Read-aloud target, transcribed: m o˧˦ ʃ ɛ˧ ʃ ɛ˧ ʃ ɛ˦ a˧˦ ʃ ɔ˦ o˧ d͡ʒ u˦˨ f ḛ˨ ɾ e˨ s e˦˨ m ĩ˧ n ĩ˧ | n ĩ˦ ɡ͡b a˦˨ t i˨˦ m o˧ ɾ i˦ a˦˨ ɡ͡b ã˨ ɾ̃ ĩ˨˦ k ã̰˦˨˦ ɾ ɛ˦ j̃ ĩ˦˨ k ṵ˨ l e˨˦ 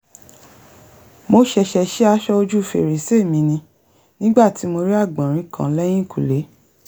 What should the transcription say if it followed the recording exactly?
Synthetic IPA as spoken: m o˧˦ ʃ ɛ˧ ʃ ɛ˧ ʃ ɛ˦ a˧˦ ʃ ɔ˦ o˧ d͡ʒ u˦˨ f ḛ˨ ɾ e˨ s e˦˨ m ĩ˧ n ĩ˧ | n ĩ˦ ɡ͡b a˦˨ t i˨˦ m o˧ ɾ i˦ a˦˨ ɡ͡b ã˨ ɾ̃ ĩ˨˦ k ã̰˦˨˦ l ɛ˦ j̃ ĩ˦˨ k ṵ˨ l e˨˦

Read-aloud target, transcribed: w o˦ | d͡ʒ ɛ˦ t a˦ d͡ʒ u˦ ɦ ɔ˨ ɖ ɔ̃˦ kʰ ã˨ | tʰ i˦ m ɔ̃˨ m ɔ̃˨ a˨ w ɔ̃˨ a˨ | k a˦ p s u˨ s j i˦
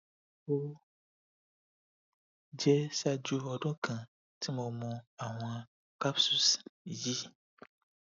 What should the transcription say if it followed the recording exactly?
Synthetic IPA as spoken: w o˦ | d͡ʒ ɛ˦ s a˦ d͡ʒ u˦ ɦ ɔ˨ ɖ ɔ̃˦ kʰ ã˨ | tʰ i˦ m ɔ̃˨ m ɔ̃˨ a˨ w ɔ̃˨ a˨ | k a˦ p s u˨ s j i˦

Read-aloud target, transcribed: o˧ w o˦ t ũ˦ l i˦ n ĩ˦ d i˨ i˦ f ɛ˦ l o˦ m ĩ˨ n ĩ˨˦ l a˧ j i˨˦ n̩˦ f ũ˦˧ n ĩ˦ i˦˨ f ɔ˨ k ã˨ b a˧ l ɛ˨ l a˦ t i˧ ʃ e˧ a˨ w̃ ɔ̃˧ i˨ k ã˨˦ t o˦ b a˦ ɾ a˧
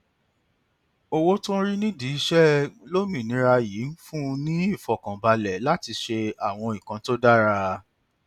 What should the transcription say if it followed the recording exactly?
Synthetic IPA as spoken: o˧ w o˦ t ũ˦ ɾ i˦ n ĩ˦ d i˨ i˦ ʃ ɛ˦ l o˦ m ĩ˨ n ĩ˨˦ ɾ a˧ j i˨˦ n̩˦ f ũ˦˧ n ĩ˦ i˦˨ f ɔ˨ k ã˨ b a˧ l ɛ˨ l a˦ t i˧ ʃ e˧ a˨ w̃ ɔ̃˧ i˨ k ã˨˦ t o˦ d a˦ ɾ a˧

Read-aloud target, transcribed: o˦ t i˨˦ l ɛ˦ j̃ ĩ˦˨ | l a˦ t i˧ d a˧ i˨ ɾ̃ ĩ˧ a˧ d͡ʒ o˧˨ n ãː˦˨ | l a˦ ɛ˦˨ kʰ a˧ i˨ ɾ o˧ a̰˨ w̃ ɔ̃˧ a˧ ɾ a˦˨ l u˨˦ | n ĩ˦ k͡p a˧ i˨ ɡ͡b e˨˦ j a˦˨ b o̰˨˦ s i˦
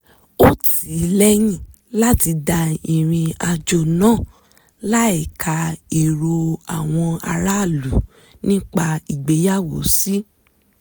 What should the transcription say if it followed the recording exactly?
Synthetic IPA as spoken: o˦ t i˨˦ l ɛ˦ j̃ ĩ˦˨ | l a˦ t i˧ d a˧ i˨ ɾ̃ ĩ˧ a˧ d͡ʒ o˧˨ n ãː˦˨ | l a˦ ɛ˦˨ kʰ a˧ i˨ ɾ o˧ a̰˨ w̃ ɔ̃˧ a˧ ɾ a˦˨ l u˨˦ | n ĩ˦ k͡p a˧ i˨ ɡ͡b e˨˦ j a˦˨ w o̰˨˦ s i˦

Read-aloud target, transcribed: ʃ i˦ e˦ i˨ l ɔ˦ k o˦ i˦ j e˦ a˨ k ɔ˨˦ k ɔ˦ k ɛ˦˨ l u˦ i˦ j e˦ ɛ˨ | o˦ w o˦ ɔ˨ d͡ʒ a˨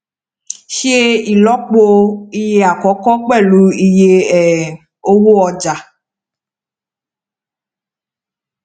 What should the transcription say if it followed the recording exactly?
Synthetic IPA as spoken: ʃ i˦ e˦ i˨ l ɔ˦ k͡p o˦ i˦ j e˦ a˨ k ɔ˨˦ k ɔ˦ k͡p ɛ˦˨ l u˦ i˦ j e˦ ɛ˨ | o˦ w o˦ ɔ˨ d͡ʒ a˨

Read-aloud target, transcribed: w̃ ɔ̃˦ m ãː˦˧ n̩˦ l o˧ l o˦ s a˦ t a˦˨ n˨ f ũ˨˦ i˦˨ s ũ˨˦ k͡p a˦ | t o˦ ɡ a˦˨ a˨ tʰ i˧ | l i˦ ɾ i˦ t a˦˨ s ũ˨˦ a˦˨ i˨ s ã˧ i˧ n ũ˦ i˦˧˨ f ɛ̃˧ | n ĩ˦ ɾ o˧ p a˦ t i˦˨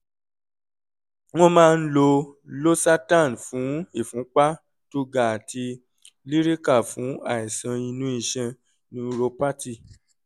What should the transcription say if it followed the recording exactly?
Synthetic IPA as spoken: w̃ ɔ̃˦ m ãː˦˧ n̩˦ l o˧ l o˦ s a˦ t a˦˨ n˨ f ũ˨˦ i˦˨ f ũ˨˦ k͡p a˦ | t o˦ ɡ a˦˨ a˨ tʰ i˧ | l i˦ ɾ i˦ k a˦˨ f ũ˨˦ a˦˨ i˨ s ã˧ i˧ n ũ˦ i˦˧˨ ʃ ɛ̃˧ | n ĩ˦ ɾ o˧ p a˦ t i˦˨

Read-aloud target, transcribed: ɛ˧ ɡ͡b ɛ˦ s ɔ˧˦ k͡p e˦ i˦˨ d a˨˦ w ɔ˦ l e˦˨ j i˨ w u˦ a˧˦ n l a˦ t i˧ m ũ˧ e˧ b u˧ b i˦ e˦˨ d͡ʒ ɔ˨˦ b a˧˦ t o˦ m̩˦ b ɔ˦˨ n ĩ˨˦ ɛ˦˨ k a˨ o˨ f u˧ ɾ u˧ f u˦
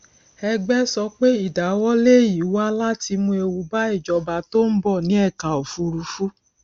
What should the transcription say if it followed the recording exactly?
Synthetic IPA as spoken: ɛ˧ ɡ͡b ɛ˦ s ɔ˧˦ k͡p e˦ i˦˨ d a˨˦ w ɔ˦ l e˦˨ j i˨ w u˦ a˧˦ l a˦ t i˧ m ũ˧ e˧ w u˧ b a˦ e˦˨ d͡ʒ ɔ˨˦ b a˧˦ t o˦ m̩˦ b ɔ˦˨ n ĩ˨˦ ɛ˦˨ k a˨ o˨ f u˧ ɾ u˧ f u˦

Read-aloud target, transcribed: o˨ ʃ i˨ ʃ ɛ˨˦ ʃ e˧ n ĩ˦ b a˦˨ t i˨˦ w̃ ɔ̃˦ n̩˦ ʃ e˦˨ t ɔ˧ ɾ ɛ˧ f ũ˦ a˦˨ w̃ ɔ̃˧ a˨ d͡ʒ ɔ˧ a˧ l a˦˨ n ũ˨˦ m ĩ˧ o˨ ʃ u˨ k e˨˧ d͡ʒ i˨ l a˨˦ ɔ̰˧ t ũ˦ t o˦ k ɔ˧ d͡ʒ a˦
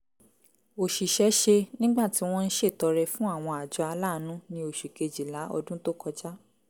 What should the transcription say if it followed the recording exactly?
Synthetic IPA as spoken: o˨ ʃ i˨ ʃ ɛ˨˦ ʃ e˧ n ĩ˦ ɡ͡b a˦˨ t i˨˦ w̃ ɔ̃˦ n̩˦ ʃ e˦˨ t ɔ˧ ɾ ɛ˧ f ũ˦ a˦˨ w̃ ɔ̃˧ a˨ d͡ʒ ɔ˧ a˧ l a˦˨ n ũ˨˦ n ĩ˧ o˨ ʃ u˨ k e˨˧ d͡ʒ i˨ l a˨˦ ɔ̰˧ d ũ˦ t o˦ k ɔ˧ d͡ʒ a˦

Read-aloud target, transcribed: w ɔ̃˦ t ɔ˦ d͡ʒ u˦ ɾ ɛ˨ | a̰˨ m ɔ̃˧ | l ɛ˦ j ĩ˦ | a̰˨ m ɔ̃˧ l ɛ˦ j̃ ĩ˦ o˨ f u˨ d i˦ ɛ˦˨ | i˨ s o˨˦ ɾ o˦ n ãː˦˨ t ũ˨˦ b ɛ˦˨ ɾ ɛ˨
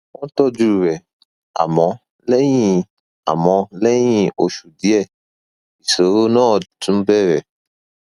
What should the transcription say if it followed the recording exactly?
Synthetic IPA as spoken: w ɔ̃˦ t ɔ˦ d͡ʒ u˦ ɾ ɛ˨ | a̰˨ m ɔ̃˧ | l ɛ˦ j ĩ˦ | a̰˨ m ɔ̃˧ l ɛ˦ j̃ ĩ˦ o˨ ʃ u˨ d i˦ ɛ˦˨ | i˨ s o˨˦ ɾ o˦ n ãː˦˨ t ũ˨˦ b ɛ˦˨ ɾ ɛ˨

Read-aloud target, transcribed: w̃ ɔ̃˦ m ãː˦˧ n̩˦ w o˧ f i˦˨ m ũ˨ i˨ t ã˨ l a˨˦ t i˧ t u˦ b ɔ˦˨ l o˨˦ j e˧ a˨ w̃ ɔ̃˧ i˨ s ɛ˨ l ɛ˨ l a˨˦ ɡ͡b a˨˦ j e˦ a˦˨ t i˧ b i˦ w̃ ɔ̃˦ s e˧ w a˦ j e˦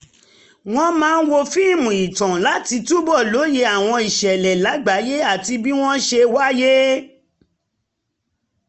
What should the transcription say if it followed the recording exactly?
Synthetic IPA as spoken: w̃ ɔ̃˦ m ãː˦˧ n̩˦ w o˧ f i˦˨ m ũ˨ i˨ t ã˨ l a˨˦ t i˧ t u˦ b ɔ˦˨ l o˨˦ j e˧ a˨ w̃ ɔ̃˧ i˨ ʃ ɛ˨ l ɛ˨ l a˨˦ ɡ͡b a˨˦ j e˦ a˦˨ t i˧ b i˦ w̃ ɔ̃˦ ʃ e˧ w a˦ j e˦

